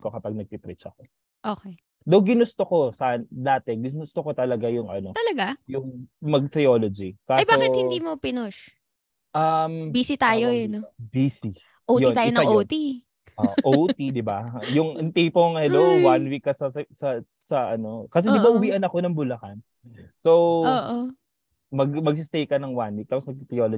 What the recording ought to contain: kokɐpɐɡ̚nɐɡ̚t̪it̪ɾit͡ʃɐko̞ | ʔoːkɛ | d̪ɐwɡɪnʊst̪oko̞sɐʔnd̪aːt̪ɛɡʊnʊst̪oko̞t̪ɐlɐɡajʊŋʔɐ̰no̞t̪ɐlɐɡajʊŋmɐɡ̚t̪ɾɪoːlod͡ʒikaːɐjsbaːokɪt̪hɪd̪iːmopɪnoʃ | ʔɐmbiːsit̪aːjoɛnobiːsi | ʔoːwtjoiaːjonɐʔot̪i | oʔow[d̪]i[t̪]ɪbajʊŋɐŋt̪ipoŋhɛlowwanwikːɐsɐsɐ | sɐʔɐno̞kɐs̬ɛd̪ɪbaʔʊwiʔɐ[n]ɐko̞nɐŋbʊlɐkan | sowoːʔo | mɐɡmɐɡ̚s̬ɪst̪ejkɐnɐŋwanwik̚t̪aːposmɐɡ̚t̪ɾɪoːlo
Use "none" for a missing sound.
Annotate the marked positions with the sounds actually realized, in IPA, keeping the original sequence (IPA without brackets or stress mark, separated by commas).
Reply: t̪, d̪, n